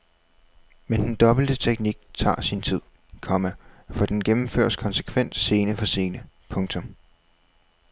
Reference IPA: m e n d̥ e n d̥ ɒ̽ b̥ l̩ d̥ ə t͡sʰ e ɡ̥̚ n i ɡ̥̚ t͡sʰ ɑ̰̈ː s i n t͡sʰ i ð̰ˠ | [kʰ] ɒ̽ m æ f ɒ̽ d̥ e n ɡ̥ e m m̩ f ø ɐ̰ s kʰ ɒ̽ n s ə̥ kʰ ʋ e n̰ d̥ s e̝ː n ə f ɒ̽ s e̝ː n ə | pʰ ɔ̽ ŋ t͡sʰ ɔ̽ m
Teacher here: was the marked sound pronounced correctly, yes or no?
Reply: yes